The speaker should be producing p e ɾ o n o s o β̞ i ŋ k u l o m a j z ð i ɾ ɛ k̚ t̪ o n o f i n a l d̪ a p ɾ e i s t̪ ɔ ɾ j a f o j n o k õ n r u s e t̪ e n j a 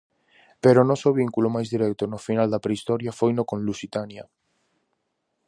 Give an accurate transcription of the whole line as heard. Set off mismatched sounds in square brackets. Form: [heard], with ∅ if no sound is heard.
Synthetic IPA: p e ɾ o n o s o β̞ i ŋ k u l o m a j z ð i ɾ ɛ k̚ t̪ o n o f i n a l d̪ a p ɾ e i s t̪ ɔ ɾ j a f o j n o k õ n [l] u s [i] t̪ [a] n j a